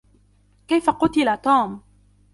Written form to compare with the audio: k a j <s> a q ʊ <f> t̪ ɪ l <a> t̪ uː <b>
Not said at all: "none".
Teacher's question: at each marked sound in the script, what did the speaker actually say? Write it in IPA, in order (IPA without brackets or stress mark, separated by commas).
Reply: f, none, a, m